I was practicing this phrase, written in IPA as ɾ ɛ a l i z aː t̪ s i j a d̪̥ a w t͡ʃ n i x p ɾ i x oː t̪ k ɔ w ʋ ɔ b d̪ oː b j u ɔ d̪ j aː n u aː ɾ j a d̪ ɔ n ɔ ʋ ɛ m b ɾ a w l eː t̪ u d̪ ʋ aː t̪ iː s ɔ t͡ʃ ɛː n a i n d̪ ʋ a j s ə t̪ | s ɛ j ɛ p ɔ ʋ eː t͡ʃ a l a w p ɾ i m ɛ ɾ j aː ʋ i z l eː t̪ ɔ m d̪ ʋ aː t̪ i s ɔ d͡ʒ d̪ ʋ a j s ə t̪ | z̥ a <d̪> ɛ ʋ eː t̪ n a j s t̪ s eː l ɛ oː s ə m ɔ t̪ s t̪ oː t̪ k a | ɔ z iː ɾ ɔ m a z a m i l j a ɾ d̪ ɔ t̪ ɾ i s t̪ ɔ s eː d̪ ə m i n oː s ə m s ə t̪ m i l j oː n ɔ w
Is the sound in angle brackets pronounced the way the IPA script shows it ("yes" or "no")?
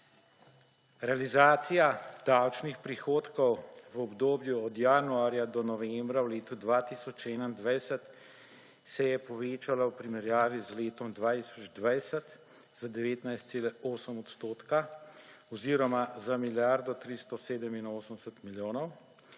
yes